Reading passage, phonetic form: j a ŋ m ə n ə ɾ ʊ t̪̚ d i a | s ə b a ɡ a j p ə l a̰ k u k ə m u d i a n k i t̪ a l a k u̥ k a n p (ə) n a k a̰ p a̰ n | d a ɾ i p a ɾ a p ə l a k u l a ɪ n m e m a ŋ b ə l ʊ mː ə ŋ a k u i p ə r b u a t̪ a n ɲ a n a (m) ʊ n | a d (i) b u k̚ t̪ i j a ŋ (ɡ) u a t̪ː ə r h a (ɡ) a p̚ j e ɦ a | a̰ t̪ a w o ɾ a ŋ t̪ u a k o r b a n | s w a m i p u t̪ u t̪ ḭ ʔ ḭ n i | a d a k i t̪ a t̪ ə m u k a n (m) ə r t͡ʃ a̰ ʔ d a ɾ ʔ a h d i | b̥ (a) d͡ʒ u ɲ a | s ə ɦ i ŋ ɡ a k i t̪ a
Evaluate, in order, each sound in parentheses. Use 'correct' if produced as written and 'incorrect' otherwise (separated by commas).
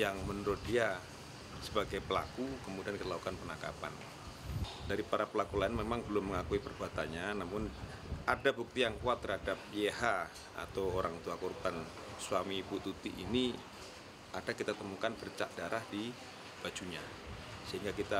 correct, correct, incorrect, incorrect, incorrect, incorrect, correct